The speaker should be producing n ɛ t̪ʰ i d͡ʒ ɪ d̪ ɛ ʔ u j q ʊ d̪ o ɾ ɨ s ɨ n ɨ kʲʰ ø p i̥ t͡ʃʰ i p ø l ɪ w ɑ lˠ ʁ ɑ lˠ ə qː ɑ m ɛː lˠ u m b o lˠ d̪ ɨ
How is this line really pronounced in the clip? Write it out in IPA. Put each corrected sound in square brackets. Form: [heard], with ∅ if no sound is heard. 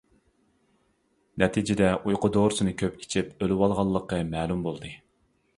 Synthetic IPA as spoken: n ɛ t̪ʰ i d͡ʒ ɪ d̪ ɛ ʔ u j q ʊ d̪ o ɾ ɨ s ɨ n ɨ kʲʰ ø p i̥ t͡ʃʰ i p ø l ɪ w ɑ lˠ ʁ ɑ [lˠː] ə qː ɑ m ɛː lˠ u m b o lˠ d̪ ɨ